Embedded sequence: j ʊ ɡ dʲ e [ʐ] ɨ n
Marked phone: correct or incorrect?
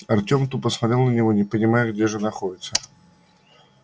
correct